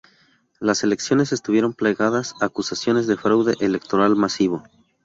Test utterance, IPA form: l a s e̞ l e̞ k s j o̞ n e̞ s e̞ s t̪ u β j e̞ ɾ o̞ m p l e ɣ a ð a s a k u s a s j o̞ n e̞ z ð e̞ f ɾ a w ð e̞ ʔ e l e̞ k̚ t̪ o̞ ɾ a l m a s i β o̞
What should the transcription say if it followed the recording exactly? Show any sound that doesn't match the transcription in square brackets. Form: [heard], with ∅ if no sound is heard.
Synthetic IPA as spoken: l a s e̞ l e̞ k s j o̞ n e̞ s e̞ s t̪ u β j e̞ ɾ o̞ m p l e ɣ a ð a s a k u s a s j o̞ n e̞ z ð e̞ f ɾ a w ð e̞ ʔ e l e̞ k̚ t̪ o̞ ɾ a l m a s i β o̞